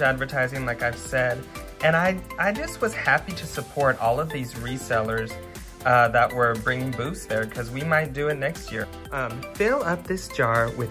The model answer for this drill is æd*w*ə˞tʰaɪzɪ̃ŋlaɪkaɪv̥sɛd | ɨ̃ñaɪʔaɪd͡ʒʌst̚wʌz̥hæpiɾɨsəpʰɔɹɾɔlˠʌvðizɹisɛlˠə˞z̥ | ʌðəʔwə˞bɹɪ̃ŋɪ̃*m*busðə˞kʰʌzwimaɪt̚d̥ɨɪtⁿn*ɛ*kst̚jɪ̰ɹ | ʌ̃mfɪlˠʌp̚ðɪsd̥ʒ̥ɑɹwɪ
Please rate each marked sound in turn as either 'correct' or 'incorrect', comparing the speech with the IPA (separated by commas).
incorrect, incorrect, correct